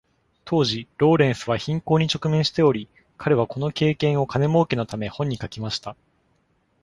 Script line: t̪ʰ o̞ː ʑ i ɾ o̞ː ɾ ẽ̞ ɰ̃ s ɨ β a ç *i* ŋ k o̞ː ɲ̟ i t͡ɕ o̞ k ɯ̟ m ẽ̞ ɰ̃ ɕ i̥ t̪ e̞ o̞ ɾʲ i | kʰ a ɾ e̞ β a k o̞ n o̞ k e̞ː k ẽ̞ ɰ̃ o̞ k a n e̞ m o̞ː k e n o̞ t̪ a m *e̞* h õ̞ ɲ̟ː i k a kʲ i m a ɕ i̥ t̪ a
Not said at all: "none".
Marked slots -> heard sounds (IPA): ĩ, e̞

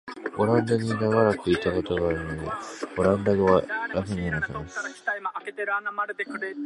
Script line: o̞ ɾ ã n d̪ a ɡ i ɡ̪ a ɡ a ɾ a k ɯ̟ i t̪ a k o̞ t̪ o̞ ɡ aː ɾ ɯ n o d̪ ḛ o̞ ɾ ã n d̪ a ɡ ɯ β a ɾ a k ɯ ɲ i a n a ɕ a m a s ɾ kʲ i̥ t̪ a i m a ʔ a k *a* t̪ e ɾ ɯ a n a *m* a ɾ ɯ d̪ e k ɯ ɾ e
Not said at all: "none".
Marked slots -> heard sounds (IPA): e, m

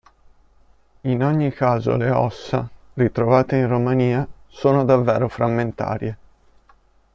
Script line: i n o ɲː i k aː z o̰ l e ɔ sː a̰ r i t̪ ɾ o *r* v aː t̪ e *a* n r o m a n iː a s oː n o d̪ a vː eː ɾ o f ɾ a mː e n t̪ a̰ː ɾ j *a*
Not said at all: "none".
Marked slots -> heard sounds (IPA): none, i, e

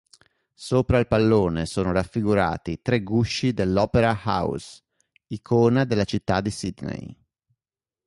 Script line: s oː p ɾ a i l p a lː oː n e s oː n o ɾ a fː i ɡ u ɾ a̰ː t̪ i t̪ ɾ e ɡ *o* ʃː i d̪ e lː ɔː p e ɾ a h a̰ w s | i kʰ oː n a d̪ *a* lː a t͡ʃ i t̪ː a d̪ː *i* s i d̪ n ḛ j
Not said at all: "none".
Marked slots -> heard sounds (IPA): u, e, i

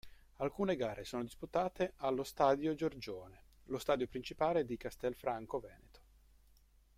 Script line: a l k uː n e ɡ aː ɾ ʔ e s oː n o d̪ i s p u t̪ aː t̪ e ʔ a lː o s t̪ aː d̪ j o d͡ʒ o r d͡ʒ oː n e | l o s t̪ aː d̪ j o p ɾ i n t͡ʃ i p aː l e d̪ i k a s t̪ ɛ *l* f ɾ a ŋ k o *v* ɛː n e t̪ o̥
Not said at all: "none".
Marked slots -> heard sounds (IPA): l, v

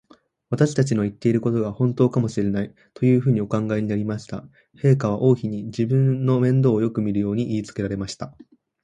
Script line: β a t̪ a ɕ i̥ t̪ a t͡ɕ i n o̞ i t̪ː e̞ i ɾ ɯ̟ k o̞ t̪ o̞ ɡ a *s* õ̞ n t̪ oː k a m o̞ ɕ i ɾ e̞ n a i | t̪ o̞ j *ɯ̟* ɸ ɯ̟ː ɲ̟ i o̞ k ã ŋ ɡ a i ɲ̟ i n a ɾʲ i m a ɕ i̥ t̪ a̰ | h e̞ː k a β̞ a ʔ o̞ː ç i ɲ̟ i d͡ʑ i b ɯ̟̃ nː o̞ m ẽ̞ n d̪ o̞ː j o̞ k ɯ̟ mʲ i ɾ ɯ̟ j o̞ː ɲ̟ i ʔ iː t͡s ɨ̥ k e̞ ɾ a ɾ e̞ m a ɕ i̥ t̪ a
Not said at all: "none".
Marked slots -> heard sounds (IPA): h, ɯ̟ː

